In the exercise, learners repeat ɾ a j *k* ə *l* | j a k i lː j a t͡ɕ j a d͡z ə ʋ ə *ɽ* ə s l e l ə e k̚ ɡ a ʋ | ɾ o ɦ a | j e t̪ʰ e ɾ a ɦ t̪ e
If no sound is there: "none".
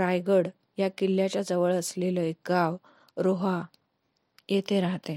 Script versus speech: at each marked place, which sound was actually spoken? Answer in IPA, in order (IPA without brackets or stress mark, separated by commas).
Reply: ɡ, ɽ, ɭ